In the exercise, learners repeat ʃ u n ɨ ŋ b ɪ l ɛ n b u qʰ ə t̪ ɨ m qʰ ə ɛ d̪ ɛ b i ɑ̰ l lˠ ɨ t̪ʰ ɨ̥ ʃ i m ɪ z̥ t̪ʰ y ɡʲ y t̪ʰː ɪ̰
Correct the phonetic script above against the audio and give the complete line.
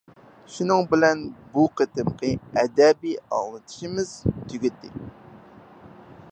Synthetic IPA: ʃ u n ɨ ŋ b ɪ l ɛ n b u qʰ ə t̪ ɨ m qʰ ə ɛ d̪ ɛ b i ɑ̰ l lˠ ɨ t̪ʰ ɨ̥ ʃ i m ɪ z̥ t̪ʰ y ɡʲ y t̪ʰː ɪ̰